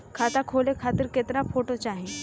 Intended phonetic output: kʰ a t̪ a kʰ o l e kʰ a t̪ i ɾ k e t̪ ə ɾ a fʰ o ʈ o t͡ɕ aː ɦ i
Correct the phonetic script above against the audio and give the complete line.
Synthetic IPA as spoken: kʰ a t̪ a kʰ o l e kʰ a t̪ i ɾ k e t̪ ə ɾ a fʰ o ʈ o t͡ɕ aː ɦ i